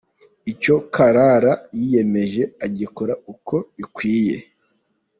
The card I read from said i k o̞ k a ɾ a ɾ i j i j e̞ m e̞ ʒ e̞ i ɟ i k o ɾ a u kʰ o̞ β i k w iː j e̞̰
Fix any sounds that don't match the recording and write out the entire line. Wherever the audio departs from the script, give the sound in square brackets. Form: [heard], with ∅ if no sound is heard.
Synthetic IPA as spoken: i [c] o̞ k a ɾ a ɾ [a] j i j e̞ m e̞ ʒ e̞ [a] ɟ i k o ɾ a u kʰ o̞ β i k w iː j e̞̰